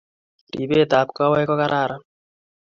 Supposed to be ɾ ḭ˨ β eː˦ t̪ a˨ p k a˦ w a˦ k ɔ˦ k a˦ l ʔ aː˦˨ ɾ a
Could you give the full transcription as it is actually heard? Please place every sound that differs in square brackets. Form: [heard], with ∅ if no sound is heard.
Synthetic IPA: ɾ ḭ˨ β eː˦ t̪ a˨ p k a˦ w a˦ k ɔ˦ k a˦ [ɾ] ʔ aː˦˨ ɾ a